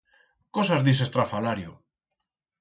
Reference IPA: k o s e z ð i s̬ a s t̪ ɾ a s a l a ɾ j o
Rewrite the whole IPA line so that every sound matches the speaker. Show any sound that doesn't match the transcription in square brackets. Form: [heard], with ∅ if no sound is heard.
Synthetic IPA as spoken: k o s [a] z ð i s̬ [e] s t̪ ɾ a [f] a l a ɾ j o